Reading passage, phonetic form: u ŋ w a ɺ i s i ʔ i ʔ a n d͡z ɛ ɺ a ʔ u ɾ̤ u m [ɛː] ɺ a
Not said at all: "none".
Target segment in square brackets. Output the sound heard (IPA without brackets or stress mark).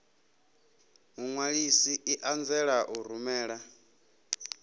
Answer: ɛː